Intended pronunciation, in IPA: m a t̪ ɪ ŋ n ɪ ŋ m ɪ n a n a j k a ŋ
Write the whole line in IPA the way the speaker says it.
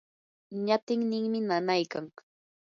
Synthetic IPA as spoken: ɲ a t̪ ɪ ŋ n ɪ ŋ m ɪ n a n a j k a ŋ